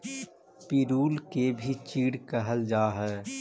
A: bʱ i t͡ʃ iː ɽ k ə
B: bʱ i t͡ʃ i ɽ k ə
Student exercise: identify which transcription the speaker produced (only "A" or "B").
A